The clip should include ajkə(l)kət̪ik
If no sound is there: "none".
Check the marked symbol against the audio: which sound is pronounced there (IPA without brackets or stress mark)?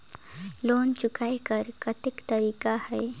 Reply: ɾ